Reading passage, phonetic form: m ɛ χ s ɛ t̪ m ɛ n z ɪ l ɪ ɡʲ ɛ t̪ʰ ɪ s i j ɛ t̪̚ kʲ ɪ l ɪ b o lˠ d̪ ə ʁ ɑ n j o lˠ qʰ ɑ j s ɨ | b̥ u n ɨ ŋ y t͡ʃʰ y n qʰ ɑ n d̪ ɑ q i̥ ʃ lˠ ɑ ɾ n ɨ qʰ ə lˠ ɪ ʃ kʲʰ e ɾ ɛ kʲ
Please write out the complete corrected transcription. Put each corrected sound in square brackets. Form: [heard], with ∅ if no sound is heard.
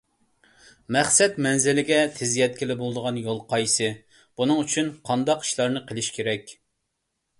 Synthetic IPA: m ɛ χ s ɛ t̪ m ɛ n z ɪ l ɪ ɡʲ ɛ t̪ʰ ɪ [z] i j ɛ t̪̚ kʲ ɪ l ɪ b o lˠ d̪ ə ʁ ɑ n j o lˠ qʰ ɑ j s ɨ | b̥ u n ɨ ŋ y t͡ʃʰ y n qʰ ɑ n d̪ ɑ q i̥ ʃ lˠ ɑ ɾ n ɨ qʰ ə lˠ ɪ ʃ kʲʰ e ɾ ɛ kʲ